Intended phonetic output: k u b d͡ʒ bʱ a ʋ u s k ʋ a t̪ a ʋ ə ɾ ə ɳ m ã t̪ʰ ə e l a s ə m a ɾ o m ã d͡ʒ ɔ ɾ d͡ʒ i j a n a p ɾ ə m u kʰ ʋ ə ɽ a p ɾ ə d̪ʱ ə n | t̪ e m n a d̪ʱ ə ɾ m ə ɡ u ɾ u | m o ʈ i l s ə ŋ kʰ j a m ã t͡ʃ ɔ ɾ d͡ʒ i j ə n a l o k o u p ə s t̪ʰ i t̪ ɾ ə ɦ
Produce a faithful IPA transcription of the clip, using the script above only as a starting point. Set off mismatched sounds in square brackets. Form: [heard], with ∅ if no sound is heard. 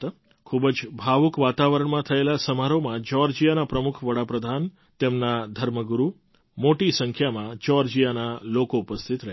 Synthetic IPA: [kʰ] u b d͡ʒ bʱ a ʋ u [∅] k ʋ a t̪ a ʋ ə ɾ ə ɳ m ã t̪ʰ ə e l a s ə m a ɾ o m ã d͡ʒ ɔ ɾ d͡ʒ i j a n a p ɾ ə m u kʰ ʋ ə ɽ a p ɾ ə d̪ʱ [a] n | t̪ e m n a d̪ʱ ə ɾ m ə ɡ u ɾ u | m o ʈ i [∅] s ə ŋ kʰ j a m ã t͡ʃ ɔ ɾ d͡ʒ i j [a] n a l o k o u p ə s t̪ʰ i t̪ ɾ ə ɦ